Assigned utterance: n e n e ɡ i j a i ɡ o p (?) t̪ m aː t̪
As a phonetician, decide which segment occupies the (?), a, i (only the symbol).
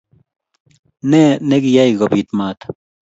i